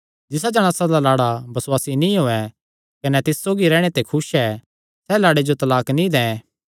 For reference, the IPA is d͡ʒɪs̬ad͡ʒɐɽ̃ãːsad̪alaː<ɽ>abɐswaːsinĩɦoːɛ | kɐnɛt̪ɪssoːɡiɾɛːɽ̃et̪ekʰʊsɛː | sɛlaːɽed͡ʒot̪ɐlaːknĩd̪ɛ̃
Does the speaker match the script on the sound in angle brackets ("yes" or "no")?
yes